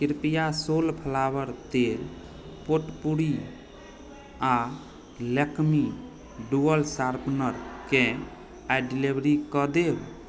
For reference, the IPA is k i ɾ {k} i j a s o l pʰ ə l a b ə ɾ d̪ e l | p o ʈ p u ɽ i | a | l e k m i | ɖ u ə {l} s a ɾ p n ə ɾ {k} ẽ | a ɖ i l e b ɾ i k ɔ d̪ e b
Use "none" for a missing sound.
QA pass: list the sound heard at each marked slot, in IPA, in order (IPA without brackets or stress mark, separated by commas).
p, l, k